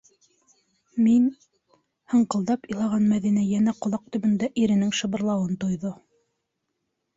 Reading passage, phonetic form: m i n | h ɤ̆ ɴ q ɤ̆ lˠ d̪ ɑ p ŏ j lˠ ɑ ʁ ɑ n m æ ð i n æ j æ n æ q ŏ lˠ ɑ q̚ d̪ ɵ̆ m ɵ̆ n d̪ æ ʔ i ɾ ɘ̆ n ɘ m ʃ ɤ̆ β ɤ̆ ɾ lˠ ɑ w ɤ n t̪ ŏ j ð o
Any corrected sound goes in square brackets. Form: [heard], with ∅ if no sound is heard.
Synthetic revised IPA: m i n | h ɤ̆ ɴ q ɤ̆ lˠ d̪ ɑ p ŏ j lˠ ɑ ʁ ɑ n m æ ð i n æ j æ n æ q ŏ lˠ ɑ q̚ [t̪] ɵ̆ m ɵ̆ n d̪ æ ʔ i ɾ ɘ̆ n ɘ [ŋ] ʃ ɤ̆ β ɤ̆ ɾ lˠ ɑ w ɤ n t̪ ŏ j ð o